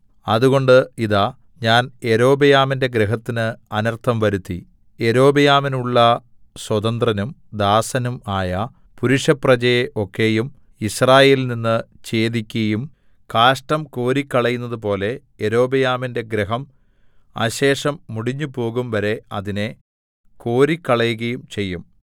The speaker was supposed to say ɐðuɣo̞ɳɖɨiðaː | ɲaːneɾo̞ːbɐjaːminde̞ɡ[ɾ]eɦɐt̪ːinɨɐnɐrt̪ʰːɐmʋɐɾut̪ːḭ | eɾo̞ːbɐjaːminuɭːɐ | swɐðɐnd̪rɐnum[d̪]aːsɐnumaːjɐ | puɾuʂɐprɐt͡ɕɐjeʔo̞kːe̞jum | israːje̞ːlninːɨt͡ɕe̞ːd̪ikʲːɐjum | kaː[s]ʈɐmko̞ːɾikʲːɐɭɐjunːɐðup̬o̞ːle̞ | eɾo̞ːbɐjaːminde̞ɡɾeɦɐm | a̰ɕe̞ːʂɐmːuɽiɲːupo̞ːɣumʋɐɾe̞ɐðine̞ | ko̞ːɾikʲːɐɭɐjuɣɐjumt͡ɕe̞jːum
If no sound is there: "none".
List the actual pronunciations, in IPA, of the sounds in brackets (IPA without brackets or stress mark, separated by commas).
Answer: ɾ, d̪, ʂ